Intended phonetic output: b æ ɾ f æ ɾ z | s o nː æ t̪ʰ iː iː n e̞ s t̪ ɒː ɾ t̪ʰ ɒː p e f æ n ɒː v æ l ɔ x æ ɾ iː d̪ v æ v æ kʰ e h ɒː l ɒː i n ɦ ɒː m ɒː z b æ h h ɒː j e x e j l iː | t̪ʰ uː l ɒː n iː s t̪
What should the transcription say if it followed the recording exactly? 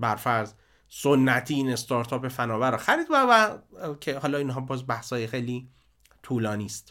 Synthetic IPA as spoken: b æ ɾ f æ ɾ z | s o nː æ t̪ʰ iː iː n e̞ s t̪ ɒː ɾ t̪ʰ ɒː p e f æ n ɒː v æ ɾ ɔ x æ ɾ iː d̪ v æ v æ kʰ e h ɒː l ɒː i n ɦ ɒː b ɒː z b æ h s ɒː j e x e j l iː | t̪ʰ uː l ɒː n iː s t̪